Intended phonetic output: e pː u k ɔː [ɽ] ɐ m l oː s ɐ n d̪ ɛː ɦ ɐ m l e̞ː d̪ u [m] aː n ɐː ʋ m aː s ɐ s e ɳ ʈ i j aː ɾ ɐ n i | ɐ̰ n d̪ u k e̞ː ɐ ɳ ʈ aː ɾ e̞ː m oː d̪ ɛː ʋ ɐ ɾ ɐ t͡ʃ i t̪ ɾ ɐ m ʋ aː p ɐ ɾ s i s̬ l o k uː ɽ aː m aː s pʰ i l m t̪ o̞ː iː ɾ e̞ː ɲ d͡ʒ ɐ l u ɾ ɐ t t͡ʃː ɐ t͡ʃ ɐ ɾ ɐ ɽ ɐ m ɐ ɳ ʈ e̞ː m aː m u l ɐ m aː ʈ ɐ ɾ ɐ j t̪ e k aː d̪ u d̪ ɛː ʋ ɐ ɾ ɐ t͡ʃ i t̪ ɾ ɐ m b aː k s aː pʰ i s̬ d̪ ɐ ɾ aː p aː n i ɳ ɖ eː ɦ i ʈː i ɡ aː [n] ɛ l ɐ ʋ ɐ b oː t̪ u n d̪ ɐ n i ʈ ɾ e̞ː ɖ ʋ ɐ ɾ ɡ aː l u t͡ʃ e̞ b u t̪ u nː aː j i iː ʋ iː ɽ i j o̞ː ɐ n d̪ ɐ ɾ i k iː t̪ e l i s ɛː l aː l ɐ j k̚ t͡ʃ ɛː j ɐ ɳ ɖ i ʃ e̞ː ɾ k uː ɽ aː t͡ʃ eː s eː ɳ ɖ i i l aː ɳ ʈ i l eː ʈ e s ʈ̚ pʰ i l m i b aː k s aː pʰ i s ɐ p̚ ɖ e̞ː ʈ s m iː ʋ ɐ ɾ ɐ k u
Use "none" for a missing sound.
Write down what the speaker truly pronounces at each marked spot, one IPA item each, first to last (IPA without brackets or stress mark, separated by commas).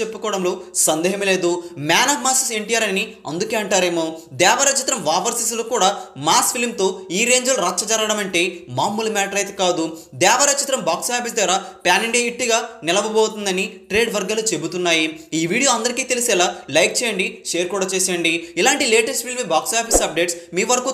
ɽ, m, n